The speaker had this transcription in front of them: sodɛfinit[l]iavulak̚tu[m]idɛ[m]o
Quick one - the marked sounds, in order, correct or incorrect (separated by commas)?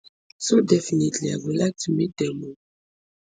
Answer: correct, correct, correct